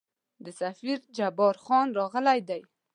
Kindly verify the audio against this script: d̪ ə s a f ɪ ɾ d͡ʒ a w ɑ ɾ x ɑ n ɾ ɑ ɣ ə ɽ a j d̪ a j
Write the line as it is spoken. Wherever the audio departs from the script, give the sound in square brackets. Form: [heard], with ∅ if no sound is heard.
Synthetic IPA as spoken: d̪ ə s a f [i] ɾ d͡ʒ a [b] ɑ ɾ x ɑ n ɾ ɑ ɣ ə [l] a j d̪ a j